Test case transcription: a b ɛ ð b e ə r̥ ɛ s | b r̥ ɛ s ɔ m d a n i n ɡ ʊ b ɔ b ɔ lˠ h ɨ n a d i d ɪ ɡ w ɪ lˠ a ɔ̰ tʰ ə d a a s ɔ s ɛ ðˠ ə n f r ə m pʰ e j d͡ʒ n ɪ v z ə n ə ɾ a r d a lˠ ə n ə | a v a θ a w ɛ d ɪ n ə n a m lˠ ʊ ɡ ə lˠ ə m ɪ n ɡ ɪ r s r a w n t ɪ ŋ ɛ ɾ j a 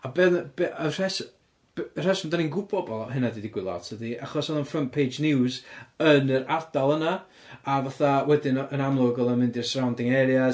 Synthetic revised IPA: a b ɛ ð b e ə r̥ ɛ s | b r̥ ɛ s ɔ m d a n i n ɡ ʊ b ɔ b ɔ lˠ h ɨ n a d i d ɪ ɡ w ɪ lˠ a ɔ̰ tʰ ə d i a χ ɔ s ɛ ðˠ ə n f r ə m pʰ e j d͡ʒ n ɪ w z ə n ə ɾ a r d a lˠ ə n a | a v a θ a w ɛ d ɪ n ə n a m lˠ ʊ ɡ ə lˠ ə m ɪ n d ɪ r s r a w n d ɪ ŋ ɛ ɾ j a